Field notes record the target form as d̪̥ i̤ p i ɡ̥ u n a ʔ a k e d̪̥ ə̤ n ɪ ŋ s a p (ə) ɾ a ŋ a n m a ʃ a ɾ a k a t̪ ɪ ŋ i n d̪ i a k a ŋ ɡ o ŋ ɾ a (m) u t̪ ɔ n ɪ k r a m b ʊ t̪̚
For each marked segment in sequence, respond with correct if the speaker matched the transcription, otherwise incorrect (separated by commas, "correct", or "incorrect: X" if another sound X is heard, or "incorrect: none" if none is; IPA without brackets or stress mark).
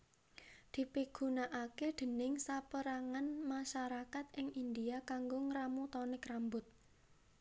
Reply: correct, correct